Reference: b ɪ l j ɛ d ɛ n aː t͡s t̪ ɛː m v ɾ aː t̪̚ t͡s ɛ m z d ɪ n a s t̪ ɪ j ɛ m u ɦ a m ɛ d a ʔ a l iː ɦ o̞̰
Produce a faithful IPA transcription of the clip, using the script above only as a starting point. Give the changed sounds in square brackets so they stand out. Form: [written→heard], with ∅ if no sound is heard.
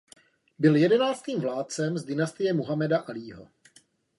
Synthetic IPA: b ɪ l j ɛ d ɛ n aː t͡s t̪ [ɛː→iː] m v [ɾ→l] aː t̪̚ t͡s ɛ m z d ɪ n a s t̪ ɪ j ɛ m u ɦ a m ɛ d a ʔ a l iː ɦ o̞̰